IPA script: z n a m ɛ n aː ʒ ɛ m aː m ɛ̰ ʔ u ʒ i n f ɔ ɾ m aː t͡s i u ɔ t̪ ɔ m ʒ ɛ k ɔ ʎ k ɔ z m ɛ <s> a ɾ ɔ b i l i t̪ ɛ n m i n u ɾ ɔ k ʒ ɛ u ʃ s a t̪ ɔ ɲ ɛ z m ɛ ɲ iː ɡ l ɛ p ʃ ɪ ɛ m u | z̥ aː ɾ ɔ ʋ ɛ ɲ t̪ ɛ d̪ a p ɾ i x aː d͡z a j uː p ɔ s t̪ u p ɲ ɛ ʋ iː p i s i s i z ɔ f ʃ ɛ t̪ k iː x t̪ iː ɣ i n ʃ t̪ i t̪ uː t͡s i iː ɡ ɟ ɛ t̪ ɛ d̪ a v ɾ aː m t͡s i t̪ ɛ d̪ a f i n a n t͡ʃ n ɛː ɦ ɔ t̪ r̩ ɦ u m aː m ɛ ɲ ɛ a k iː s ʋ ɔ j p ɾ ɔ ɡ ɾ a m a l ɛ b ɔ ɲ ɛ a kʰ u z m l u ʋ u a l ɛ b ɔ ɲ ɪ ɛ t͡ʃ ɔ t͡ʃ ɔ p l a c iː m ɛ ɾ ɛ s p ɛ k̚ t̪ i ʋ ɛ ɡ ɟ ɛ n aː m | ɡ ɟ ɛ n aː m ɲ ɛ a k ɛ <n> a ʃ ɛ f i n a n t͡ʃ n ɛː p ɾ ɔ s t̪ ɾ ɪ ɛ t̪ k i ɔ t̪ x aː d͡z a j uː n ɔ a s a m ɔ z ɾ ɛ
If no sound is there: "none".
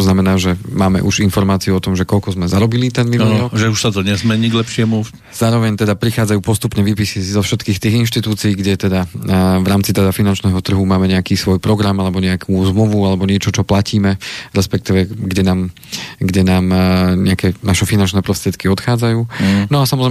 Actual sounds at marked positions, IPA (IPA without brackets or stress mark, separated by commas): z, n